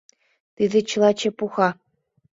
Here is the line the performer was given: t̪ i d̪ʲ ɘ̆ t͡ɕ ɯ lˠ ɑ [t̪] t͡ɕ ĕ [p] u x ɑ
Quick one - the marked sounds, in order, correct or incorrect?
incorrect, correct

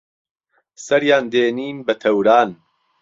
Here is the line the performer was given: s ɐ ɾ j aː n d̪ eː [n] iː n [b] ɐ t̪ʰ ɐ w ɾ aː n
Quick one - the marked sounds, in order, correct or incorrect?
correct, correct

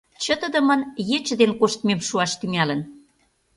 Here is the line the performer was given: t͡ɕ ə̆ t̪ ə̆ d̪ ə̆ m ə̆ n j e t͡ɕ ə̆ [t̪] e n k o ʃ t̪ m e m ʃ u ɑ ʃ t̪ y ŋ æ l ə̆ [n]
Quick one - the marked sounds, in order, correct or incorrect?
incorrect, correct

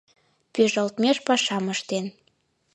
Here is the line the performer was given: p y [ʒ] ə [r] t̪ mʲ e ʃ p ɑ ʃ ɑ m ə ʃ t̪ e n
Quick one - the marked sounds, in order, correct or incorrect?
correct, incorrect

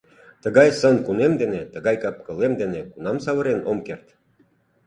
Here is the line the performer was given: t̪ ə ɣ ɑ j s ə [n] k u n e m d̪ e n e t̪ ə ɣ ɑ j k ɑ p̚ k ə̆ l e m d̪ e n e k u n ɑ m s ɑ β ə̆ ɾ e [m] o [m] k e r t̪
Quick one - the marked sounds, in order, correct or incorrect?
correct, incorrect, correct

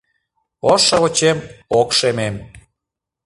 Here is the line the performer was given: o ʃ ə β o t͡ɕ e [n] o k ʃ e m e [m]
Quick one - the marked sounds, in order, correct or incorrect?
incorrect, correct

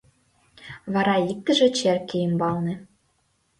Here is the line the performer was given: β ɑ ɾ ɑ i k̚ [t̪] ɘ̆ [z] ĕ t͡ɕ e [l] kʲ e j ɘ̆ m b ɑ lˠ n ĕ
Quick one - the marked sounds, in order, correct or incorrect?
correct, incorrect, incorrect

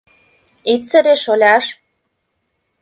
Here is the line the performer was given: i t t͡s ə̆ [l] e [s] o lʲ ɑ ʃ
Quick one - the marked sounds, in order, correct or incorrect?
incorrect, incorrect

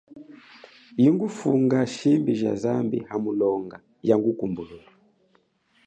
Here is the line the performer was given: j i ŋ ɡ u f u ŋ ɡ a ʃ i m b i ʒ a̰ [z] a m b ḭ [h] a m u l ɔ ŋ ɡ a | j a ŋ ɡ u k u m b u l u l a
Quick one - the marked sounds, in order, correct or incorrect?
correct, correct

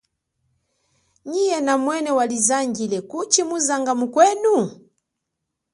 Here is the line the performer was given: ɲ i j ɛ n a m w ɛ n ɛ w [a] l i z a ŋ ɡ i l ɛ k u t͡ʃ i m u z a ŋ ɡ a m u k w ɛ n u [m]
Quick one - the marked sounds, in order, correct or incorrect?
correct, incorrect

